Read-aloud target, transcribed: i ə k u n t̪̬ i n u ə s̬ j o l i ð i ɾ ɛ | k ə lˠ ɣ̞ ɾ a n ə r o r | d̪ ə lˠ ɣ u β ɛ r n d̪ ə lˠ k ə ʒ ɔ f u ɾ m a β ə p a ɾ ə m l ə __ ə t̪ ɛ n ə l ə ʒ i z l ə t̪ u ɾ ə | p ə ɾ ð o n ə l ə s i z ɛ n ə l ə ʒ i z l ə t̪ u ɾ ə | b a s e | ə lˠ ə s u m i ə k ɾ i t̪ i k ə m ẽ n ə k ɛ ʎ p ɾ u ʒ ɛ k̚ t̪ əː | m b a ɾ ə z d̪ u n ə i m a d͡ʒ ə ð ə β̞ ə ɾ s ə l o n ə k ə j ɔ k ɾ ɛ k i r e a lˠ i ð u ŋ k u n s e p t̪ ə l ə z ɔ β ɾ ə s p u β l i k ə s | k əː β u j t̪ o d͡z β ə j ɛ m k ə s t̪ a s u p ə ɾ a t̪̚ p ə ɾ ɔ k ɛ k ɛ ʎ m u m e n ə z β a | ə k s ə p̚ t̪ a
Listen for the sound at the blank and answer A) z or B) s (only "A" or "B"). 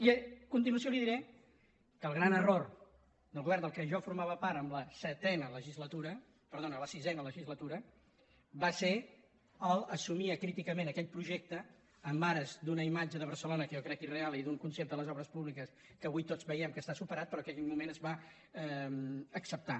B